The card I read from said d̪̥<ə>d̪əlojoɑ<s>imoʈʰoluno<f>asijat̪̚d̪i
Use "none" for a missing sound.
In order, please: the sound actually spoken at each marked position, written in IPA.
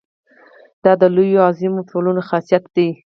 ɑ, z, x

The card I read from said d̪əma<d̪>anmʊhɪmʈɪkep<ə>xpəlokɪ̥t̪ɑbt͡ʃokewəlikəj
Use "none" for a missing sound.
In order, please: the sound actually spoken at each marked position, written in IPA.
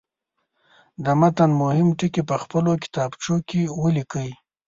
t̪, ə

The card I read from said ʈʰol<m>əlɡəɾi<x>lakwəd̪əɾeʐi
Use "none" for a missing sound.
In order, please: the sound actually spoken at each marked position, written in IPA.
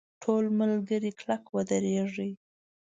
m, k

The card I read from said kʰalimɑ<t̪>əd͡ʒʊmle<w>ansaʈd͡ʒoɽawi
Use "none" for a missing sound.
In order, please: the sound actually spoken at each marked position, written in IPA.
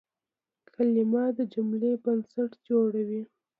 d̪, b

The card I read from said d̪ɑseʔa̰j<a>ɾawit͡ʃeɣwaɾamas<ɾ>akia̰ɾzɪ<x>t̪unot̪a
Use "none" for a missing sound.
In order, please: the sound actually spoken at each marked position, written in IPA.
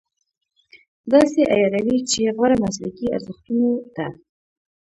ɑ, l, x

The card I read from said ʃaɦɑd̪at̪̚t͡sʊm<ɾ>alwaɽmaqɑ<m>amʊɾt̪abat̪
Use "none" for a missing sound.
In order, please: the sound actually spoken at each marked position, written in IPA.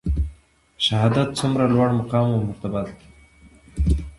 ɾ, m

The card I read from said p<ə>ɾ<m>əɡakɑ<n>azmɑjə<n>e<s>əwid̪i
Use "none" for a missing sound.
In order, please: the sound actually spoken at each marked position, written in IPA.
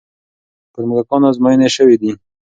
ə, m, n, n, ʃ

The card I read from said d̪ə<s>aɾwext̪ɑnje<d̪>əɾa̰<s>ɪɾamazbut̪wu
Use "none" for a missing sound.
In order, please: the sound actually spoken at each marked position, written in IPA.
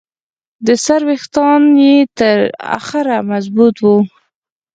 s, t̪, x

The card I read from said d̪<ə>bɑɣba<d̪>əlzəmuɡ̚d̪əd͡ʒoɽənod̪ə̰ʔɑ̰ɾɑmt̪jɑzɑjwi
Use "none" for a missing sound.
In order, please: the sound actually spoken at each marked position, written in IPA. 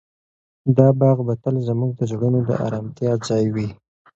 ɑ, t̪

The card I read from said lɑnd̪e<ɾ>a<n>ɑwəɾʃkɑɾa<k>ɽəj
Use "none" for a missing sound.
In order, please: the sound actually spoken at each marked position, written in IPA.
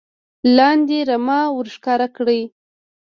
ɾ, m, k

